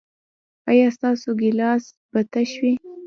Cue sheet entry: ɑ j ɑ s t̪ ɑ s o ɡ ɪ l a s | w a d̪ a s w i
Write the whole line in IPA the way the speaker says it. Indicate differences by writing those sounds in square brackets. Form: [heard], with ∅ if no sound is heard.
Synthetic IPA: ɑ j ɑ s t̪ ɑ s o ɡ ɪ l [ɑ] s | [b] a [t̪] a [ʃ] w i